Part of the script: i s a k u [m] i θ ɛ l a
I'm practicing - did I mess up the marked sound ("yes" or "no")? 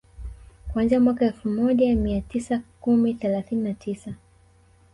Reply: no